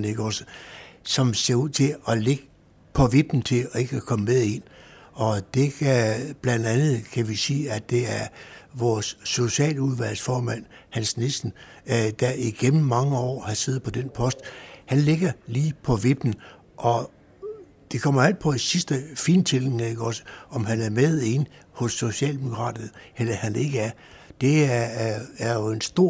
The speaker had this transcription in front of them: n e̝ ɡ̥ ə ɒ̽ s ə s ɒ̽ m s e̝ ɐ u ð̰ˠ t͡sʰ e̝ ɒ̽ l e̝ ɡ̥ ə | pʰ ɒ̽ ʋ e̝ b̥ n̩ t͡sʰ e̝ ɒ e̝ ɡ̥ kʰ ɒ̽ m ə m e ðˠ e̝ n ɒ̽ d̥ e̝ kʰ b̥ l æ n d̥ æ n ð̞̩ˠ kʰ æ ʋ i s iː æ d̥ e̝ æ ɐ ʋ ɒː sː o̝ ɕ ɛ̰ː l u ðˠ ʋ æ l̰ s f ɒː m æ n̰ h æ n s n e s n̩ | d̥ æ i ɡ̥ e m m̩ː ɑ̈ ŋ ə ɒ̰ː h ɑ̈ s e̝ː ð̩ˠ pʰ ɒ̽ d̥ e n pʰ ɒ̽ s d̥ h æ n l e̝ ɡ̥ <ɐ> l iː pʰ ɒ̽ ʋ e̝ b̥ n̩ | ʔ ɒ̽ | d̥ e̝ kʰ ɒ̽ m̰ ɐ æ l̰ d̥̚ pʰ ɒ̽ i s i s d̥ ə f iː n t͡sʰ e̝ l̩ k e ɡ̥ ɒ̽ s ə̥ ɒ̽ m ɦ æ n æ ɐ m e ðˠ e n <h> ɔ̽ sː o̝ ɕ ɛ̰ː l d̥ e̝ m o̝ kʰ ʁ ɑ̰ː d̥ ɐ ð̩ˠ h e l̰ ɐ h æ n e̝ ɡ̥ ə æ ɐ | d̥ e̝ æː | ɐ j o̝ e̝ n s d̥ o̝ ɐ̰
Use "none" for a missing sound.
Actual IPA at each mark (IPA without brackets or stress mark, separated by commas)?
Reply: ɐ, h